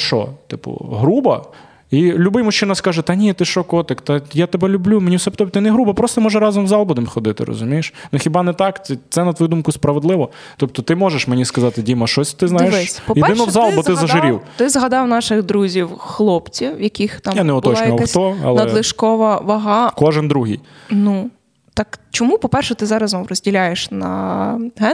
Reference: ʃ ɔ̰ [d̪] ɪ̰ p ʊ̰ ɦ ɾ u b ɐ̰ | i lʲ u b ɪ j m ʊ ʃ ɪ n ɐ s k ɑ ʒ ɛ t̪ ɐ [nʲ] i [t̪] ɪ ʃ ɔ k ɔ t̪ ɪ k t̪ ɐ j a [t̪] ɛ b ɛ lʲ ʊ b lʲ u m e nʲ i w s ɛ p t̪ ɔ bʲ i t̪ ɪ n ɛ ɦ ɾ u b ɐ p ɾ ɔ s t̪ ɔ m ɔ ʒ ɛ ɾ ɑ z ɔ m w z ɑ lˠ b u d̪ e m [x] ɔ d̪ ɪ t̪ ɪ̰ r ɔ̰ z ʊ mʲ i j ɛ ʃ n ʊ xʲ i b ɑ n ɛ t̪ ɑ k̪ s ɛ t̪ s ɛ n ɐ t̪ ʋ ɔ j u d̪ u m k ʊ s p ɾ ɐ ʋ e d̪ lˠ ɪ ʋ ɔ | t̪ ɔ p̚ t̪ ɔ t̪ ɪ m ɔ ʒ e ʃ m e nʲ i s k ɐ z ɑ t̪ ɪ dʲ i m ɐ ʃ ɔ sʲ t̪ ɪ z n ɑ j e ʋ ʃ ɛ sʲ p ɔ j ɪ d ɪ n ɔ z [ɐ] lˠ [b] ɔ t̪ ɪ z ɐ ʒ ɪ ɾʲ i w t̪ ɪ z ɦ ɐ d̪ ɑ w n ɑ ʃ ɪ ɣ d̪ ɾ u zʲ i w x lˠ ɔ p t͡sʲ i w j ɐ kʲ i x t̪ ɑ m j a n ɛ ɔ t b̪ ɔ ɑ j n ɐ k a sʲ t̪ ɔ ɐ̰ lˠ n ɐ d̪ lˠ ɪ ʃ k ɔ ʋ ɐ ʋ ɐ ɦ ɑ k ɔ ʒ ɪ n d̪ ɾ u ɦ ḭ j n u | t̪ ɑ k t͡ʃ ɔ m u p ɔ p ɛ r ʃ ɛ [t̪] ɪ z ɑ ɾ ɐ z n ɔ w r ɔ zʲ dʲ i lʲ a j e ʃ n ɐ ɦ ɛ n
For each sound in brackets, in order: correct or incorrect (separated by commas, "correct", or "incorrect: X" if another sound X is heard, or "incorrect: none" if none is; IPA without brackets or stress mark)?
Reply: incorrect: t̪, correct, correct, correct, correct, incorrect: ɑ, correct, correct